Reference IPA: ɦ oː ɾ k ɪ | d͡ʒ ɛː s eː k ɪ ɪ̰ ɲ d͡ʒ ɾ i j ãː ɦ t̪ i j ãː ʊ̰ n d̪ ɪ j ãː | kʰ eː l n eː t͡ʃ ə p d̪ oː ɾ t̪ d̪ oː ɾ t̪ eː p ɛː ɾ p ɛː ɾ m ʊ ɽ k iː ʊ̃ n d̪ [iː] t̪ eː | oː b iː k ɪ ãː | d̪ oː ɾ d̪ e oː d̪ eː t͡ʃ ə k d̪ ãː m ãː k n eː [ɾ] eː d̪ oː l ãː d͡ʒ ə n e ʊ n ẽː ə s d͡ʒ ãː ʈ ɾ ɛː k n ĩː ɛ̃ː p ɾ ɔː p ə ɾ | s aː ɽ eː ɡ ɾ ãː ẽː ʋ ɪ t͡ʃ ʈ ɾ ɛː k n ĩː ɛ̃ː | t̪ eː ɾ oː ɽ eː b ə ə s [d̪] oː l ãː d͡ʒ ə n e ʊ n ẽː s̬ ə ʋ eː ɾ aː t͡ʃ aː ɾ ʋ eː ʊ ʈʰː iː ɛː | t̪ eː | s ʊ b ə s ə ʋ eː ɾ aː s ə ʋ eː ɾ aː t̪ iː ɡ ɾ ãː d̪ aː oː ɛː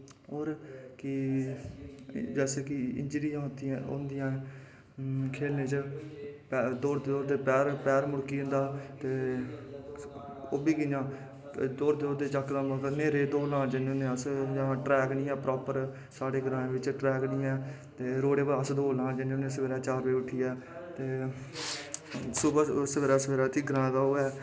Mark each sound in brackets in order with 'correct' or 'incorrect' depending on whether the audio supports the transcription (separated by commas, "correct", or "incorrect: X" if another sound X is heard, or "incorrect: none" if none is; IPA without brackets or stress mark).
incorrect: aː, correct, correct